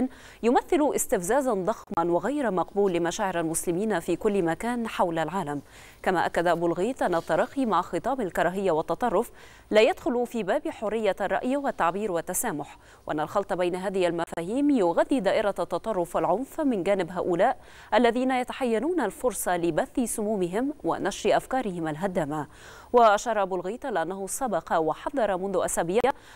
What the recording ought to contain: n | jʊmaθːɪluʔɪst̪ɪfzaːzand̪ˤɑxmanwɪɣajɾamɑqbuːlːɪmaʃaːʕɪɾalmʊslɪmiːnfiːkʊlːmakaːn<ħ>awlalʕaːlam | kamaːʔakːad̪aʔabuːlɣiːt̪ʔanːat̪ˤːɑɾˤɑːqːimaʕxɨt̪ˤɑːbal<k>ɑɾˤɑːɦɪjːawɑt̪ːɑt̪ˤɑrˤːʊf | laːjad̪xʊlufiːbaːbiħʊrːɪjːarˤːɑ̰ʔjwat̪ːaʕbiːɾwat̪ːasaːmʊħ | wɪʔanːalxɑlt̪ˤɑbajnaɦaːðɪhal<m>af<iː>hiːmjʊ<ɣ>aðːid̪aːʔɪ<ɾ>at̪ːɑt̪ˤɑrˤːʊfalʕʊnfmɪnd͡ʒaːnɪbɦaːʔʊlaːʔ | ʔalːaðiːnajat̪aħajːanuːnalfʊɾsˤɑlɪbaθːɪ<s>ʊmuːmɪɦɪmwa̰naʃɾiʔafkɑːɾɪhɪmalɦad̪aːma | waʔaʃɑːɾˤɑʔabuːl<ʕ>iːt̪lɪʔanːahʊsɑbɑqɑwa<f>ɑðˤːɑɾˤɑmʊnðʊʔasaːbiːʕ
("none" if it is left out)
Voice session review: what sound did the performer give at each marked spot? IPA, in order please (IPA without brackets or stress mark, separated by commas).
ħ, k, m, aː, ɣ, ɾ, s, ɣ, ħ